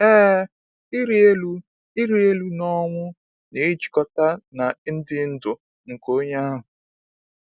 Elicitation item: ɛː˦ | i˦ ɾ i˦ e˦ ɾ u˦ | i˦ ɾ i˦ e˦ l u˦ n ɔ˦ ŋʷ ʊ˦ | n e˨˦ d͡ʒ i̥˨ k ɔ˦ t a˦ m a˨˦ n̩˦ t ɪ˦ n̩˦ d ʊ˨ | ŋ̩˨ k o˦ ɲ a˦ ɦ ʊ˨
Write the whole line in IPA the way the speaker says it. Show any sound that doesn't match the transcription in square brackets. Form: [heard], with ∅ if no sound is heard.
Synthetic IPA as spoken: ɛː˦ | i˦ ɾ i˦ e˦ [l] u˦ | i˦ ɾ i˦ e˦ l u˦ n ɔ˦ ŋʷ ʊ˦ | n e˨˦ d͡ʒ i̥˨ k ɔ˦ t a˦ [n] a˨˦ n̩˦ [d] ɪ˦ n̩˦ d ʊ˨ | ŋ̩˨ k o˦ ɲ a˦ ɦ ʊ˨